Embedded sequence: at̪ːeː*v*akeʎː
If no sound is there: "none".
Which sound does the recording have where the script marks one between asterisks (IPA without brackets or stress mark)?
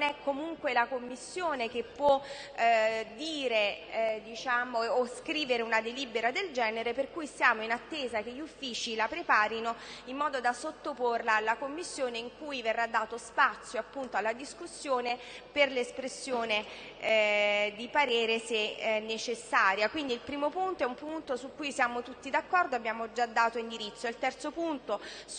z